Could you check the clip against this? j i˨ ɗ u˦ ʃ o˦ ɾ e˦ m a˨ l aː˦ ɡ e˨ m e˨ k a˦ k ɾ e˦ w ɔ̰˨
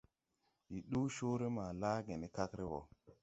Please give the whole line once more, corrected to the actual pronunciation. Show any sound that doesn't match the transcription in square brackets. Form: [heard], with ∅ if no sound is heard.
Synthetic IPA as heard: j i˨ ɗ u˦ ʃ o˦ ɾ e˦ m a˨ l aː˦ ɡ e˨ [n] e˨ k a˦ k ɾ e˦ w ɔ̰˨